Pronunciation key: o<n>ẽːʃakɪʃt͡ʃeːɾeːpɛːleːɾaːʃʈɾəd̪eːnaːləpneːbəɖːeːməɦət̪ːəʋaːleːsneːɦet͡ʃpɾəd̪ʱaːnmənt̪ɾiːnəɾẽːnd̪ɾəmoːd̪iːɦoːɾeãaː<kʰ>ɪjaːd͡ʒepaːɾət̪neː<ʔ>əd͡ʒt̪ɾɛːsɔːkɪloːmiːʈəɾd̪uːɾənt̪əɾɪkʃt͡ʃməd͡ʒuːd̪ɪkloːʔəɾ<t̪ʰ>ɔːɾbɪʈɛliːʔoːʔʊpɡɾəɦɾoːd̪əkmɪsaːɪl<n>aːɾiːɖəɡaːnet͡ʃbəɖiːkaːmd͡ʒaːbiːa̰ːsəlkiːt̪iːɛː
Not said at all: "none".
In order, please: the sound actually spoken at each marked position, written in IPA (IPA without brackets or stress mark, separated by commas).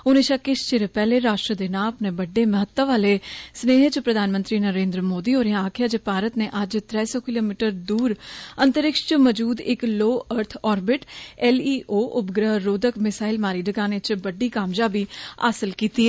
n, kʰ, ʔ, t̪ʰ, m